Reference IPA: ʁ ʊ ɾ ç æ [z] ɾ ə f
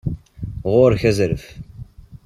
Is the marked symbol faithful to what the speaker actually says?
yes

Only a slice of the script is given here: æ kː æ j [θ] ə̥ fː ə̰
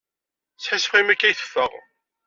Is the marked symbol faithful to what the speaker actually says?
yes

